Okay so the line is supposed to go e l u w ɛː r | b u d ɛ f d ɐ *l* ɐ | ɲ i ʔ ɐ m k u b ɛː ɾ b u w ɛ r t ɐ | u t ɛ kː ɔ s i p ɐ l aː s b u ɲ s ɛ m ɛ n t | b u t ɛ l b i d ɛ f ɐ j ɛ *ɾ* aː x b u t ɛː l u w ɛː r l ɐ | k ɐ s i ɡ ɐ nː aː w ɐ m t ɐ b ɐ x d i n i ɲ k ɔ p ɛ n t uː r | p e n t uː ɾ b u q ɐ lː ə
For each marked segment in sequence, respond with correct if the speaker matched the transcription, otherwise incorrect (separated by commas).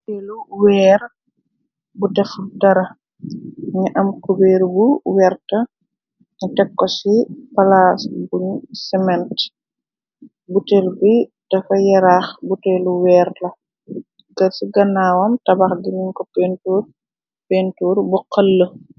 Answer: incorrect, correct